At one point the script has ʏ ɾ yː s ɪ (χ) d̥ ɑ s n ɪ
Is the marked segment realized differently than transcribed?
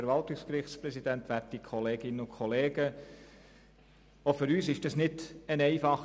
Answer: yes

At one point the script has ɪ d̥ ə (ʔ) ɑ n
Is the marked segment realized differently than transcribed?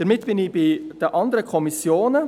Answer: no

